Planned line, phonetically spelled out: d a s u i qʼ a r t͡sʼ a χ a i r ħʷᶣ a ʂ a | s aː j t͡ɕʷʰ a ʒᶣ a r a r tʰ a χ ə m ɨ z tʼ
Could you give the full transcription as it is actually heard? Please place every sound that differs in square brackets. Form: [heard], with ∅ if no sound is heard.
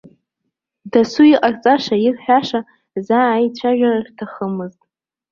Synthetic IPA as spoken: d a s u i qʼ a r t͡sʼ a [ʂ] a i r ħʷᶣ a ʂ a | [z] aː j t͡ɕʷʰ a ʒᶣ a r a r tʰ a χ ə m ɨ z tʼ